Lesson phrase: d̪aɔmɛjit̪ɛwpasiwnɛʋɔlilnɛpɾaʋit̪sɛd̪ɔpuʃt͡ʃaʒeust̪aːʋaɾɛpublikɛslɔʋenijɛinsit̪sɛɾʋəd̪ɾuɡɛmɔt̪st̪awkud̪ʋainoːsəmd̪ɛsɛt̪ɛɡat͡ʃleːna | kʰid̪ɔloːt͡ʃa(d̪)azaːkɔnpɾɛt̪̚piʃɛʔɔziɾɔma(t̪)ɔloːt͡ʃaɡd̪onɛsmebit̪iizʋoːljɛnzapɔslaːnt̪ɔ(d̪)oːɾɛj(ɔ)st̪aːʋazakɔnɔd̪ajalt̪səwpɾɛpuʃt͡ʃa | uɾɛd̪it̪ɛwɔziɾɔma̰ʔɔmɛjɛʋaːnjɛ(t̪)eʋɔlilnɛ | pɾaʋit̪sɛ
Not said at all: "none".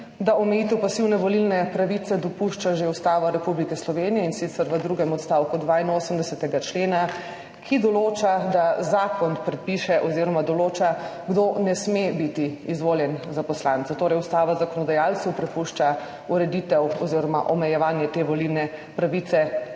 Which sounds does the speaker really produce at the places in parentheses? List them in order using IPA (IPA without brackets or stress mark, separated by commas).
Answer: d̪, d̪, t̪, u, t̪